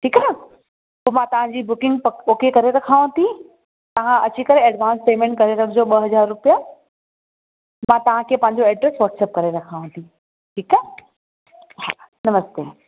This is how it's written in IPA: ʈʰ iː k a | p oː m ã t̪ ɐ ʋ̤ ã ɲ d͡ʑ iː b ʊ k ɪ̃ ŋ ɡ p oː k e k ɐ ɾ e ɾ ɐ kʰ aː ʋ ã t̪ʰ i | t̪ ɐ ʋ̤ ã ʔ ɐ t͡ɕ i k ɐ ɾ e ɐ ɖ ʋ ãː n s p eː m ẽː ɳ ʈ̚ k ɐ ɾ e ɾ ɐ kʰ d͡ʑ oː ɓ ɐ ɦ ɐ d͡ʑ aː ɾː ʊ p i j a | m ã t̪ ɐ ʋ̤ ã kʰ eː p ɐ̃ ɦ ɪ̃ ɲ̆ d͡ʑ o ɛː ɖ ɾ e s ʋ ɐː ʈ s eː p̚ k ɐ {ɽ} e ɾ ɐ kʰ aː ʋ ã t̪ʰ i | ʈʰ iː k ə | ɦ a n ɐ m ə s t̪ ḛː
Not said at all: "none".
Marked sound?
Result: ɾ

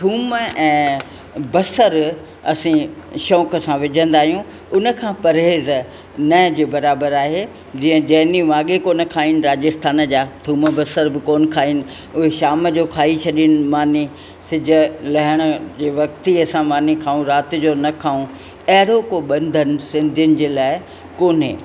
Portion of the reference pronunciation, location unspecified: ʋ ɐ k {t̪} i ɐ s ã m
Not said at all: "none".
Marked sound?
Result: t̪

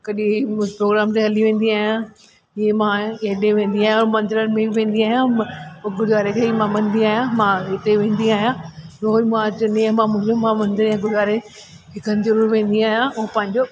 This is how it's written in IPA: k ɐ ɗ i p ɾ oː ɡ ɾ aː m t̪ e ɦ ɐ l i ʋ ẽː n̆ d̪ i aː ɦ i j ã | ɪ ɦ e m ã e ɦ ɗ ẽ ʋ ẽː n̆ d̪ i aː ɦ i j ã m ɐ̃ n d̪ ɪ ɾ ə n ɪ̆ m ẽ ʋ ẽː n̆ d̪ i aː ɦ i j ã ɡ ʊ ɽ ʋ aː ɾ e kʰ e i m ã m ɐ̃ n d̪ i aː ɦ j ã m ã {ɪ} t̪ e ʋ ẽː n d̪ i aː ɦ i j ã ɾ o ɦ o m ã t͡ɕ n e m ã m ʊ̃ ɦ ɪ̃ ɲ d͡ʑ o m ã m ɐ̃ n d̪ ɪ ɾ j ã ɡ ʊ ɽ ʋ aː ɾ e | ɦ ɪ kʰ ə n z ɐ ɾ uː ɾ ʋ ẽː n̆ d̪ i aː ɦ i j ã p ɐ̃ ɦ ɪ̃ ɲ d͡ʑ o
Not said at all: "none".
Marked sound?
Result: ɪ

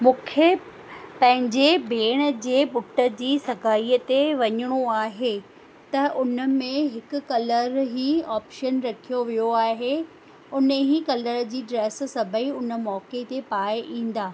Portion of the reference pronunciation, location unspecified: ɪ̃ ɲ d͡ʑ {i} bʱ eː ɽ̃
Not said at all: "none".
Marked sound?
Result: e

